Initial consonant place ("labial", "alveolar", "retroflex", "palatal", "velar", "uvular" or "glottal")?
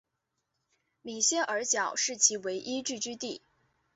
labial